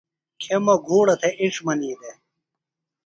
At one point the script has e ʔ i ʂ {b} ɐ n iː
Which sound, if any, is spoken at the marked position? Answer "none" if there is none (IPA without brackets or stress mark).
m